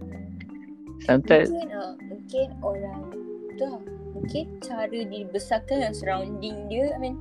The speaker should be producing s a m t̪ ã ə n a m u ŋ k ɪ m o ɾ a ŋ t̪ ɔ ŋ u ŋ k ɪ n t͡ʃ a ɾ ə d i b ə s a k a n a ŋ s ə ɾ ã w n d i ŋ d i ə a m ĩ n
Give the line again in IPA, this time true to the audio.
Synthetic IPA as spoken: s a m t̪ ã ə n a m u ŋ k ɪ n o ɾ a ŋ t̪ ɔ m u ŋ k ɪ n t͡ʃ a ɾ ə d i b ə s a k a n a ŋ s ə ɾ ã w n d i ŋ d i ə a m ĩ n